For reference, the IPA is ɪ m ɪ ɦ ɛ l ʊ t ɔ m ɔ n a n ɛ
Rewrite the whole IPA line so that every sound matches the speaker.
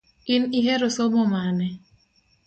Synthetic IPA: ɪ n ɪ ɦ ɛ ɾ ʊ s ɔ m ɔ m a n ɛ